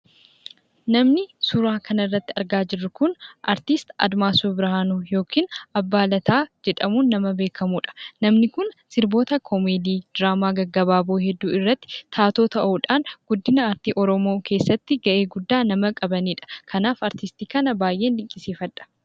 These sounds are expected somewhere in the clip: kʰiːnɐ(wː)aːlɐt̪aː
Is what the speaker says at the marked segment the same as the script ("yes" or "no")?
no